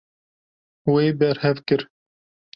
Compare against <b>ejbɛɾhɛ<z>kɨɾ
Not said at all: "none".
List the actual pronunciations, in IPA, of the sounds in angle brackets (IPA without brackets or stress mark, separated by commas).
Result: w, v